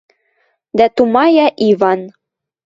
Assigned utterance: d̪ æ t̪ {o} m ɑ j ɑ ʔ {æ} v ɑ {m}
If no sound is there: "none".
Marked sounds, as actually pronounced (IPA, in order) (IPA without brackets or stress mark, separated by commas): u, i, n